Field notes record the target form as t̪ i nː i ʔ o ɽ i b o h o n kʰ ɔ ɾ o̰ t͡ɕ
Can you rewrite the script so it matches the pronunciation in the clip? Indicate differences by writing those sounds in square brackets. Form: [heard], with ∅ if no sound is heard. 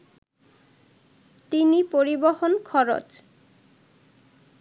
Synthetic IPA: t̪ i [n] i [p] o [ɾ] i b o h o n kʰ ɔ ɾ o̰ t͡ɕ